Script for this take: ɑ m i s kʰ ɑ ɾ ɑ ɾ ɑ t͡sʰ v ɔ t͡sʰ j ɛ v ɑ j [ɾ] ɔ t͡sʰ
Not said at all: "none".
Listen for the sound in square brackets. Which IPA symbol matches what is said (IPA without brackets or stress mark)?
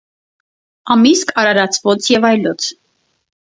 l